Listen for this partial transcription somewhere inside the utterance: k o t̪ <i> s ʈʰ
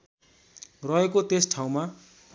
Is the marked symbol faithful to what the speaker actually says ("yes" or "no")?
no